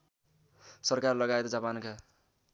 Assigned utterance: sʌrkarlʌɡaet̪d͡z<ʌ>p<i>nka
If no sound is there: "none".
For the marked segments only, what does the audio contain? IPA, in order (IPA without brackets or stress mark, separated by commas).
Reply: a, a